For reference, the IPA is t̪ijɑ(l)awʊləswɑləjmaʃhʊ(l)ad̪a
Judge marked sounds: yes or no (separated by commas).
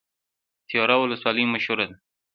no, no